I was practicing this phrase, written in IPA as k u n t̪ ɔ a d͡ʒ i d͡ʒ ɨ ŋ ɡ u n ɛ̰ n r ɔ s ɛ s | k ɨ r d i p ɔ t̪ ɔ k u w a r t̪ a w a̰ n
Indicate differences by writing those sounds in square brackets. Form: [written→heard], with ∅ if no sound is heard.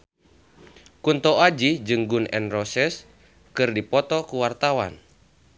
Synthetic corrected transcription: k u n t̪ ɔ a d͡ʒ i d͡ʒ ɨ ŋ ɡ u n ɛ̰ n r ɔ s ɛ s | k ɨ r d i p ɔ t̪ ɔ k u w a r t̪ a w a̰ n

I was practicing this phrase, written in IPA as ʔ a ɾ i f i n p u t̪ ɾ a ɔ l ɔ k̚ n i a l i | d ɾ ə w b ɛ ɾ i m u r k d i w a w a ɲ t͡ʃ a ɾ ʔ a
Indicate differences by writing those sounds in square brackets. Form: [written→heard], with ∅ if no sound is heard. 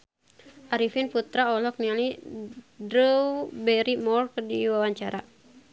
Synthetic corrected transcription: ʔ a ɾ i f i n p u t̪ ɾ a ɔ l ɔ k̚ n i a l i | d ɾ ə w b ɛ ɾ i m [u→ɔ] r k d i w a w a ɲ t͡ʃ a ɾ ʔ a

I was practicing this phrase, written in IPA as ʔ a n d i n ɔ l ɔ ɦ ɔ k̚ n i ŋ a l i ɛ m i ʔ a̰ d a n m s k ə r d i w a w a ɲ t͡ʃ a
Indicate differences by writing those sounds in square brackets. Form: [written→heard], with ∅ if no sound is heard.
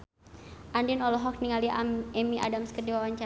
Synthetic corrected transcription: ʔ a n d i n ɔ l ɔ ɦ ɔ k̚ n i ŋ a l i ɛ m i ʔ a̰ d a [n→∅] m s k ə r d i w a w a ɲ t͡ʃ a

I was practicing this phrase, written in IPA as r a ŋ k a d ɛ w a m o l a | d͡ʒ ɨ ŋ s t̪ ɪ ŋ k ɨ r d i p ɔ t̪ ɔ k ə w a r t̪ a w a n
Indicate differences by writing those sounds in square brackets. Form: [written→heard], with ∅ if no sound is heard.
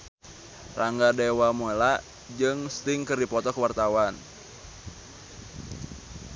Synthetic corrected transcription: r a ŋ [k→ɡ] a d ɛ w a m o l a | d͡ʒ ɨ ŋ s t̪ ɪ ŋ k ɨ r d i p ɔ t̪ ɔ k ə w a r t̪ a w a n

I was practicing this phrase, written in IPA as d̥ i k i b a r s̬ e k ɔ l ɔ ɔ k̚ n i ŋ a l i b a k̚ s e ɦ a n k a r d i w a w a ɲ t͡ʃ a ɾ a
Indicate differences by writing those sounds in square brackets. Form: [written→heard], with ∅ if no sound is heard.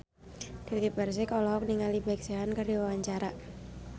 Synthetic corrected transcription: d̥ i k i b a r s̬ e k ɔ l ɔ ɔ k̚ n i ŋ a l i b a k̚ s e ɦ a n k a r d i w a w a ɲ t͡ʃ a ɾ a

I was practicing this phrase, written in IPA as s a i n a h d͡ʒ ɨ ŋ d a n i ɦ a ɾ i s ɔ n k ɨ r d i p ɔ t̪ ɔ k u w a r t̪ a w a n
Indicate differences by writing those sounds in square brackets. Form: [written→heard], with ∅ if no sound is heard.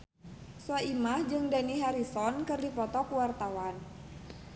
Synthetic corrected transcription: s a i [n→m] a h d͡ʒ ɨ ŋ d a n i ɦ a ɾ i s ɔ n k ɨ r d i p ɔ t̪ ɔ k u w a r t̪ a w a n

